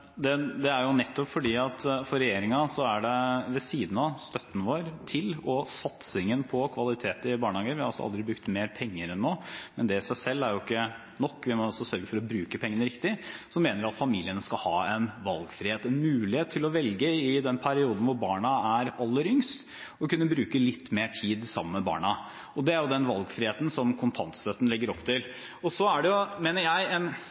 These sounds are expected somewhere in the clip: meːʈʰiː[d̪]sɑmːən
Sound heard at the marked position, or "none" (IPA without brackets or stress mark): d̪